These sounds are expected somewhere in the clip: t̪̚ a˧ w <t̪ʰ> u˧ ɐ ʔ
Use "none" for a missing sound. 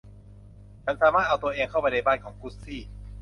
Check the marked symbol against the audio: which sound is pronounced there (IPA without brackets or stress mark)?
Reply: t̪